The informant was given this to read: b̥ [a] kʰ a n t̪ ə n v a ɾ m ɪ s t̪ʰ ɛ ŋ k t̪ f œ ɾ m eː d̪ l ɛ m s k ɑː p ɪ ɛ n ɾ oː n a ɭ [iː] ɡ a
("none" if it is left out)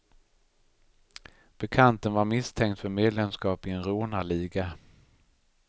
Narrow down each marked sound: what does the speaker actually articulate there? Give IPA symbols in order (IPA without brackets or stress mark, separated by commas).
ɛ, iː